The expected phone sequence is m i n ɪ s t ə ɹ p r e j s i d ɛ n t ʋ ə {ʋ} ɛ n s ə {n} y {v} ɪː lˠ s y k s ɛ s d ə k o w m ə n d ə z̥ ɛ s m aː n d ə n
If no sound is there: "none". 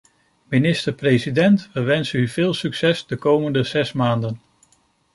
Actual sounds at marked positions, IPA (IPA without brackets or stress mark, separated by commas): ʋ, n, v